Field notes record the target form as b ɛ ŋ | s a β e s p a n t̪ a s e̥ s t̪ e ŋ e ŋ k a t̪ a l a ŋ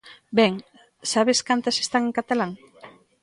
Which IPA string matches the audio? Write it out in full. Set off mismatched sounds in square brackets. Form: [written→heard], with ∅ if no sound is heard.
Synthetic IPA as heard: b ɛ ŋ | s a β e s [p→k] a n t̪ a s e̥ s t̪ [e→a] ŋ e ŋ k a t̪ a l a ŋ